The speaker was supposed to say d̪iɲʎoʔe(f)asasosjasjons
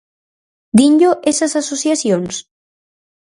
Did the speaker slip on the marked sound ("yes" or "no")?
yes